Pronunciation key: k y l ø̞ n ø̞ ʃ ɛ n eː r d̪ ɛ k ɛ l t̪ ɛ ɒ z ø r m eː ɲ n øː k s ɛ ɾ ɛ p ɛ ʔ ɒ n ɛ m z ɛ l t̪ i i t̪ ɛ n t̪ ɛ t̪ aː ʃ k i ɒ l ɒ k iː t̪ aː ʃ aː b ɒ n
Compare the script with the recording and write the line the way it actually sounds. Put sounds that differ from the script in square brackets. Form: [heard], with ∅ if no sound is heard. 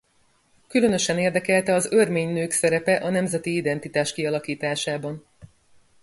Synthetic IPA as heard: k y l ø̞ n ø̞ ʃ ɛ n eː r d̪ ɛ k ɛ l t̪ ɛ ɒ z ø r m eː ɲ n øː k s ɛ ɾ ɛ p ɛ ʔ ɒ n ɛ m z ɛ [∅] t̪ i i [d̪] ɛ n t̪ [i] t̪ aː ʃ k i ɒ l ɒ k iː t̪ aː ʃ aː b ɒ n